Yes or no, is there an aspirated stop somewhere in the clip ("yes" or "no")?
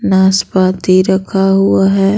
yes